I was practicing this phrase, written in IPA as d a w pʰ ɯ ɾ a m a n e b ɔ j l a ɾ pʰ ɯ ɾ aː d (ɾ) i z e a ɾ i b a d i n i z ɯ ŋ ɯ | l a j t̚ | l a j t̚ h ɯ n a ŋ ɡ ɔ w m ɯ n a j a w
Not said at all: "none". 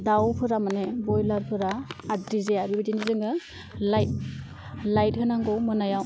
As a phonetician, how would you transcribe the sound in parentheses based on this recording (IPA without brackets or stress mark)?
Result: ɾ